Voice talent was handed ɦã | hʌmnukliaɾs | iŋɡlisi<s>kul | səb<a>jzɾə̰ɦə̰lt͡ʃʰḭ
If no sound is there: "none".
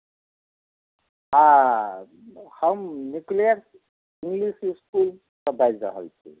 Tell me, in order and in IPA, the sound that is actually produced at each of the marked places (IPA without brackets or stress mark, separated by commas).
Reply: s, a